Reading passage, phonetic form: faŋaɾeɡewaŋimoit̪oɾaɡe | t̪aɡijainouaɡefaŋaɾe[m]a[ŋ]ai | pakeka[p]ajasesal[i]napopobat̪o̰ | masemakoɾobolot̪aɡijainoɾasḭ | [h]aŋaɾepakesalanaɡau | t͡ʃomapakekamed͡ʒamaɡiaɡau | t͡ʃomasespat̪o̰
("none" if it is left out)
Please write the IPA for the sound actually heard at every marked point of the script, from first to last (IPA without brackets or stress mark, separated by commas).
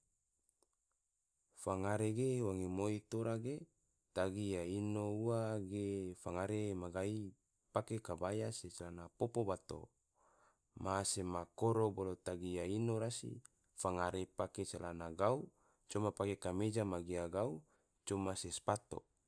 m, ɡ, b, a, f